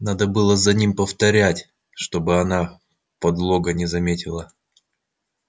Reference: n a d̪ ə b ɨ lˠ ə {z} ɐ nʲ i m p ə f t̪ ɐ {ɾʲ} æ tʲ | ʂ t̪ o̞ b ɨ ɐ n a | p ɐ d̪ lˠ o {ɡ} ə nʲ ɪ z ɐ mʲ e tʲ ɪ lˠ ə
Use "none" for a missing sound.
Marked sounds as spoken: z, ɾʲ, ɡ

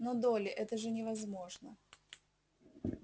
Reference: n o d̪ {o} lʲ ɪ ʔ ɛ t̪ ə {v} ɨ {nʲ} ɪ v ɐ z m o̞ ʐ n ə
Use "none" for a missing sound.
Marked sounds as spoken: o, ʐ, nʲ

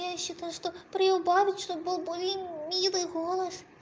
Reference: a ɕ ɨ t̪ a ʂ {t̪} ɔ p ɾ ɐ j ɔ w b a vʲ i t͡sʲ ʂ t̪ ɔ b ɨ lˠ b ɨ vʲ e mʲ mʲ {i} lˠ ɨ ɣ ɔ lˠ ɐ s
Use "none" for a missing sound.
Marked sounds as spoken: t̪, i

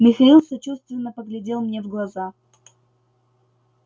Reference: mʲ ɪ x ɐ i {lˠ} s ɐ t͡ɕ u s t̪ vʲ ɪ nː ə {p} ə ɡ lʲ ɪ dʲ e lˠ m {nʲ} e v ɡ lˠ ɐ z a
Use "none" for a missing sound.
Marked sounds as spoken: lˠ, p, nʲ

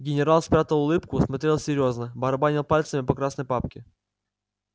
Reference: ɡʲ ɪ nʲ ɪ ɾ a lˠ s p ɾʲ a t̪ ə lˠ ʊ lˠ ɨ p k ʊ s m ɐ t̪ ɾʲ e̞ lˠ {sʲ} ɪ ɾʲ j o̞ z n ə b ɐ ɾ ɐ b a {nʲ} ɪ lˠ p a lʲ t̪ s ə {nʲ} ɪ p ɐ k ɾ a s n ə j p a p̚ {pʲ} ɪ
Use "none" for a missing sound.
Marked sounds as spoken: sʲ, nʲ, mʲ, kʲ

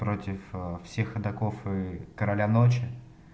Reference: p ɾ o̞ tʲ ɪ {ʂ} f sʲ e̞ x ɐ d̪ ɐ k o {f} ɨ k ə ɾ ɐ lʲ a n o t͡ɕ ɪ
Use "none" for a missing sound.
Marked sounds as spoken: f, f

